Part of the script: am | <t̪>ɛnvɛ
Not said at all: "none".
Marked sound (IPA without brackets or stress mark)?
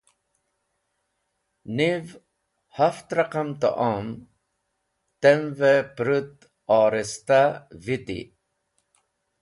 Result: t̪